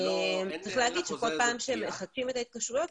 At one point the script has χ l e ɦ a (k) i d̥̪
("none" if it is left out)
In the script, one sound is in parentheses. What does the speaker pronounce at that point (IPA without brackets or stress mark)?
ɡ